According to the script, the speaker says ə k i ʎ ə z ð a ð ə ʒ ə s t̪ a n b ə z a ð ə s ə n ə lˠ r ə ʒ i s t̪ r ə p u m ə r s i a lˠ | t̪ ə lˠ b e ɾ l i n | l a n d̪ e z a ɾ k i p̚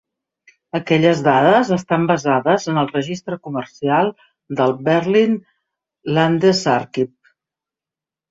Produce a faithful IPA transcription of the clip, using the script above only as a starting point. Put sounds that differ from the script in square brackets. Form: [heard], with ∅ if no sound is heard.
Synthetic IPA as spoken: ə k [ɛ] ʎ ə z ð a ð ə [z] ə s t̪ a [m] b ə z a ð ə [z] ə n ə lˠ r ə ʒ i s t̪ [ɾ] ə [k] u m ə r s i a lˠ | [d̪] ə lˠ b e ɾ l i n | l a n d̪ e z a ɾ k i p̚